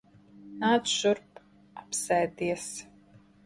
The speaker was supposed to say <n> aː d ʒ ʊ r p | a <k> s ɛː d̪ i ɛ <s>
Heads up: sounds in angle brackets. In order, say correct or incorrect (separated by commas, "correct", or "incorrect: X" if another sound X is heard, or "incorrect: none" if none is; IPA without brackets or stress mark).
correct, incorrect: p, correct